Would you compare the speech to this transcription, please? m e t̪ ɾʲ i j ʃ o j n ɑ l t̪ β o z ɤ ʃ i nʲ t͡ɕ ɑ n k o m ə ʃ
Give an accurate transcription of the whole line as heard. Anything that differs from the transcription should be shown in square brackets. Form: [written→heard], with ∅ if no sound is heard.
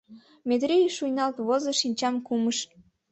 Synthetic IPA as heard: m e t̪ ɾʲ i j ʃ [o→u] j n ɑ l t̪ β o z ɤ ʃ i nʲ t͡ɕ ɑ [n→m] k [o→u] m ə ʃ